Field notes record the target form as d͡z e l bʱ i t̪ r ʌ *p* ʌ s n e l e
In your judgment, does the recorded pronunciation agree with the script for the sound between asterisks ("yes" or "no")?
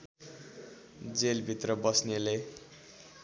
no